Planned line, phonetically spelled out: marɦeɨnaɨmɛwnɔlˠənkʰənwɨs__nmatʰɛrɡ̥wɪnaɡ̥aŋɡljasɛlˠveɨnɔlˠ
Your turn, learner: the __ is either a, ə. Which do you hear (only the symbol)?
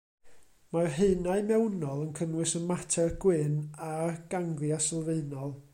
ə